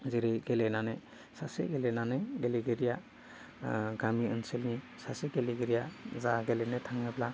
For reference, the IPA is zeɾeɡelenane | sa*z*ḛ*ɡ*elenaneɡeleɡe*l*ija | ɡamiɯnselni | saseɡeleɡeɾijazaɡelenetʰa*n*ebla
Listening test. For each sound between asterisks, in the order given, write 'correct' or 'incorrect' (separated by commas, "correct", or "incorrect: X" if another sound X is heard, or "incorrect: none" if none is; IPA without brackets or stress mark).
incorrect: s, correct, incorrect: ɾ, incorrect: ŋ